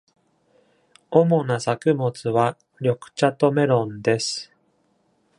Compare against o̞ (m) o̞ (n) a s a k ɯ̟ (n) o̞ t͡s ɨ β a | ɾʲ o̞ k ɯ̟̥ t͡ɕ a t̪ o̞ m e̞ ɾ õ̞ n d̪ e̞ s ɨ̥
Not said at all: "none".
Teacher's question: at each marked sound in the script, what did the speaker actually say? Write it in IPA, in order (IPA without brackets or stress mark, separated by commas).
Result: m, n, m